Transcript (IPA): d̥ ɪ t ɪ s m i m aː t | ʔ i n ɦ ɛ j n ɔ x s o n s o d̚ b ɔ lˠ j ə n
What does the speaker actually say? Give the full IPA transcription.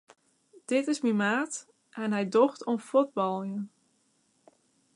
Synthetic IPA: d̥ ɪ t ɪ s m i m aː t | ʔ ɛ n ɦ ɛ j d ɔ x t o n f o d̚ b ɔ lˠ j ə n